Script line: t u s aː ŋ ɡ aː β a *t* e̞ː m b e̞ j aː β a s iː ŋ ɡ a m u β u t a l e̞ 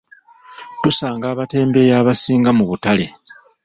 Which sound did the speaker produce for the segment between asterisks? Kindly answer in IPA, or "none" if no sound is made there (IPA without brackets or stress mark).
t